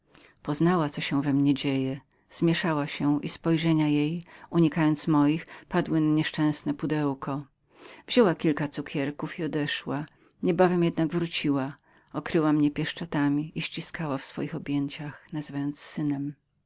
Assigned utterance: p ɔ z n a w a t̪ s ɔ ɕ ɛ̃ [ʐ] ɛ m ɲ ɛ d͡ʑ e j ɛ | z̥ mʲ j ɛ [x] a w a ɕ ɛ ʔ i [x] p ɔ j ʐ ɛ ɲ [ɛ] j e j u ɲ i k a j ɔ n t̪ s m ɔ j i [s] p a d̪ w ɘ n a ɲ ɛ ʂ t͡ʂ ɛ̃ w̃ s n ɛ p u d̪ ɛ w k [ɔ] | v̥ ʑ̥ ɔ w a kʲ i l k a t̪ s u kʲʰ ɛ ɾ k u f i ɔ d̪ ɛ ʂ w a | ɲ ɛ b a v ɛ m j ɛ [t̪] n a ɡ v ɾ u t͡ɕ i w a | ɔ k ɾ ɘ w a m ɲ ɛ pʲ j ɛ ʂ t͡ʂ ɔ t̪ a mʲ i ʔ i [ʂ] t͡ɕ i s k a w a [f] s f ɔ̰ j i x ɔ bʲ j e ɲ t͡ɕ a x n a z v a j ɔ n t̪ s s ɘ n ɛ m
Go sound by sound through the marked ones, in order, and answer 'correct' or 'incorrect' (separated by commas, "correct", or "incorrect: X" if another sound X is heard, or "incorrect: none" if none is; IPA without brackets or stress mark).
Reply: incorrect: v, incorrect: ʂ, incorrect: s, incorrect: a, incorrect: x, correct, incorrect: d̪, incorrect: ɕ, correct